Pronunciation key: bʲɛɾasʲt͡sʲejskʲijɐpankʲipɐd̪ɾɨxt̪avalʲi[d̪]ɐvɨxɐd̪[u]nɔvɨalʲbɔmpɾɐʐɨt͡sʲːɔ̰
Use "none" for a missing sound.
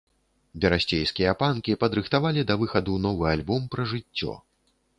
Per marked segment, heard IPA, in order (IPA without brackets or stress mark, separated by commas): d̪, u